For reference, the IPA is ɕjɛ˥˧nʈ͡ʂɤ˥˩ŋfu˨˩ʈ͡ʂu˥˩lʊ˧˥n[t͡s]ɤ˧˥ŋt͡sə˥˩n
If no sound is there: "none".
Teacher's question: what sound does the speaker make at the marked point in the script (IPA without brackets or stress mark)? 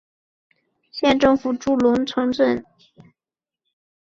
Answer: t͡sʰ